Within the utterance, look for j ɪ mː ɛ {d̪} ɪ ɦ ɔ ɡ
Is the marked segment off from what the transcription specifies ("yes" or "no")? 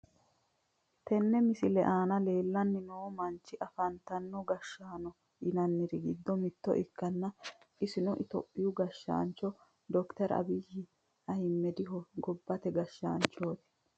no